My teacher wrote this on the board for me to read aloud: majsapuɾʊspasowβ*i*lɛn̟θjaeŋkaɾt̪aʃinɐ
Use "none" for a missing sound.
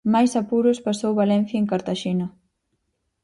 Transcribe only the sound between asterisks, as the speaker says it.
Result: a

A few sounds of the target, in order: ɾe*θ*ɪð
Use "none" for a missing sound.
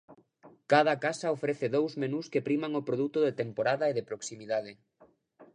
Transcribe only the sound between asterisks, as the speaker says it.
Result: θ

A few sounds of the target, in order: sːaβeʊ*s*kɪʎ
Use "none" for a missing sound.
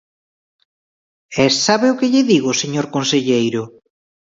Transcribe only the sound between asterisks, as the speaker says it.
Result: none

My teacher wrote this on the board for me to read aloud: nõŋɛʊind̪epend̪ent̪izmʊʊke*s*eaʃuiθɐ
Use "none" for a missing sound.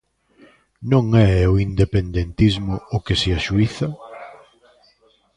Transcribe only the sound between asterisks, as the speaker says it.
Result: s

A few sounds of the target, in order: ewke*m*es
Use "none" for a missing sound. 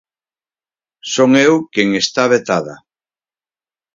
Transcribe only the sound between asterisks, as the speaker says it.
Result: ŋ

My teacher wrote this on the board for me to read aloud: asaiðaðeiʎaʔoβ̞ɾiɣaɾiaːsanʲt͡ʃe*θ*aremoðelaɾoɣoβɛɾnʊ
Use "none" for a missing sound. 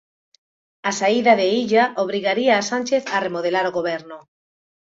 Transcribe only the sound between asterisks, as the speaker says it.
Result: θ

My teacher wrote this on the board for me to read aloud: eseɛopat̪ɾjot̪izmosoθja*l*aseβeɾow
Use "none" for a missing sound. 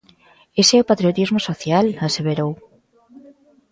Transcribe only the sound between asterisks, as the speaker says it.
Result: l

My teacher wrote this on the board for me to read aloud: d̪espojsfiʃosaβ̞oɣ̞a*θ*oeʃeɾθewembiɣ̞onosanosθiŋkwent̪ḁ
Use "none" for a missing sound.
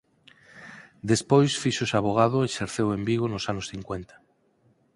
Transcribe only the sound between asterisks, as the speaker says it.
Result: ð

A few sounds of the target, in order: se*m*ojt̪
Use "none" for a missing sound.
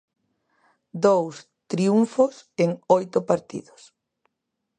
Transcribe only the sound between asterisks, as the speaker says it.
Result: ŋ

